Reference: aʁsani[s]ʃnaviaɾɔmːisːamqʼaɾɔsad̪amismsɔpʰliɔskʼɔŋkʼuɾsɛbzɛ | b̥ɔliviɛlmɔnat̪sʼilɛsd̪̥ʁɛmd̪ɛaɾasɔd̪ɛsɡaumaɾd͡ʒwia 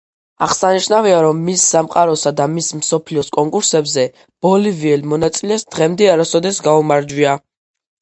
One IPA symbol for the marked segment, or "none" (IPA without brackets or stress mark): none